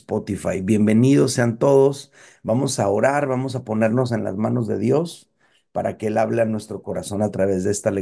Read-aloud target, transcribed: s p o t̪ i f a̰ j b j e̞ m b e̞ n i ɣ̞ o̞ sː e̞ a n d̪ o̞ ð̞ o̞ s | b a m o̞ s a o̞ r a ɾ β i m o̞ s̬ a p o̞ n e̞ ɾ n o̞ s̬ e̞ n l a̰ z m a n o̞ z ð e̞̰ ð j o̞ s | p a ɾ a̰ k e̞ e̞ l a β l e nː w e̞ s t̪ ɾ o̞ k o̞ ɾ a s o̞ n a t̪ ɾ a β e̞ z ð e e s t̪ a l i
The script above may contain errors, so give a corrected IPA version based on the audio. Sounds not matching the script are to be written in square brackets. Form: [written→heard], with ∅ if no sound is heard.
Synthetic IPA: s p o t̪ i f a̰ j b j e̞ m b e̞ n i [ɣ̞→ð̞] o̞ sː e̞ a n [d̪→t̪] o̞ ð̞ o̞ s | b a m o̞ s a o̞ [r→ɾ] a ɾ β [i→a] m o̞ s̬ a p o̞ n e̞ ɾ n o̞ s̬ e̞ n l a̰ z m a n o̞ z ð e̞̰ ð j o̞ s | p a ɾ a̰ k e̞ e̞ l a β l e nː w e̞ s t̪ ɾ o̞ k o̞ ɾ a s o̞ n a t̪ ɾ a β e̞ z ð e e s t̪ a l [i→e]